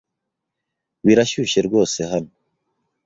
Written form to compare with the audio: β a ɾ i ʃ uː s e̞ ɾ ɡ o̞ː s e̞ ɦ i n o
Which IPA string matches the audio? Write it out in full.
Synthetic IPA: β i ɾ a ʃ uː ʃ e̞ ɾ ɡ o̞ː s e̞ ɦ a n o